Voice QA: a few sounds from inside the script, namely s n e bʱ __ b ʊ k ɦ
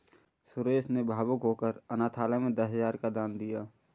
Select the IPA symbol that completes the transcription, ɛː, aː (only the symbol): aː